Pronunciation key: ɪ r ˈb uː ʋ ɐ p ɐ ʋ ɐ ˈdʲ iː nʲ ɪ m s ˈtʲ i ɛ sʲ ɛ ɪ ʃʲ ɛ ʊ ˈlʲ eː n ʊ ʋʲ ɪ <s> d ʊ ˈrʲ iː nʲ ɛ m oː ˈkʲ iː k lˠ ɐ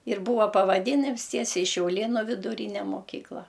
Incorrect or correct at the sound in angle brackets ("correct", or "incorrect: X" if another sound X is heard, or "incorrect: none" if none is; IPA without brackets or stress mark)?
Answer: incorrect: none